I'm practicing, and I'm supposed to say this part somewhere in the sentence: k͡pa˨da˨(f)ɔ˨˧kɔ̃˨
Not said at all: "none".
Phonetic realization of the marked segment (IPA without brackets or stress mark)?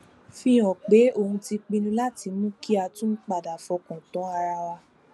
f